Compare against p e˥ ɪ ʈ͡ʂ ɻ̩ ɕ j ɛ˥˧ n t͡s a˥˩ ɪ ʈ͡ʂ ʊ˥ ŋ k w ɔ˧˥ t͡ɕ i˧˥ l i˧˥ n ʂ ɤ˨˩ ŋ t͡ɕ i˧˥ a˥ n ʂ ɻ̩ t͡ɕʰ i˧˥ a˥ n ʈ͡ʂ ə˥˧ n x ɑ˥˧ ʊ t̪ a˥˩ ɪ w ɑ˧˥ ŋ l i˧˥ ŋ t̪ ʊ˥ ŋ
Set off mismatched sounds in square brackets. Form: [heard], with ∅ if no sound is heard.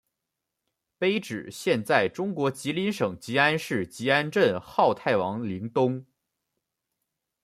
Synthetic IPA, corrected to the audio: p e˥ ɪ ʈ͡ʂ ɻ̩ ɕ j ɛ˥˧ n t͡s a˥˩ ɪ ʈ͡ʂ ʊ˥ ŋ k w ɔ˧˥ t͡ɕ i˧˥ l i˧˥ n ʂ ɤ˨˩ ŋ t͡ɕ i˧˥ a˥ n ʂ ɻ̩ [t͡ɕ] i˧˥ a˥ n ʈ͡ʂ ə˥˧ n x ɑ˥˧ ʊ [t̪ʰ] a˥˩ ɪ w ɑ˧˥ ŋ l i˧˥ ŋ t̪ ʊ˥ ŋ